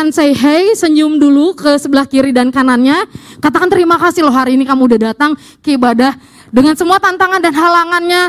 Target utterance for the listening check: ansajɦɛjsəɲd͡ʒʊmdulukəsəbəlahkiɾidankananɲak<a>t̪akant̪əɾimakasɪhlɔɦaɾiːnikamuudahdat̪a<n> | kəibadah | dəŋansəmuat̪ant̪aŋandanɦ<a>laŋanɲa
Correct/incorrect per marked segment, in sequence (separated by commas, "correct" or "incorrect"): correct, incorrect, correct